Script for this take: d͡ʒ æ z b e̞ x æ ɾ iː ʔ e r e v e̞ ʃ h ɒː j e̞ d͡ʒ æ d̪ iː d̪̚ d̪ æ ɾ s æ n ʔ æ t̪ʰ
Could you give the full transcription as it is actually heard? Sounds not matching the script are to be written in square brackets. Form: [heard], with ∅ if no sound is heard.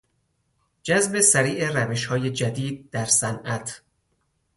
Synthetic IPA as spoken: d͡ʒ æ z b e̞ [s] æ ɾ iː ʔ e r [æ] v e̞ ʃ h ɒː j e̞ d͡ʒ æ d̪ iː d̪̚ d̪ æ ɾ s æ n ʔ æ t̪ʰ